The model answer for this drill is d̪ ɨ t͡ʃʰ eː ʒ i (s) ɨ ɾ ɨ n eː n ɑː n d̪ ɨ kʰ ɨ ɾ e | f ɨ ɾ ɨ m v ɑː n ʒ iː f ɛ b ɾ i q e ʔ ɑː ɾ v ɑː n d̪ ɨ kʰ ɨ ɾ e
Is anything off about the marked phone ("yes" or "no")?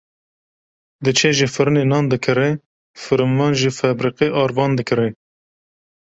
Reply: yes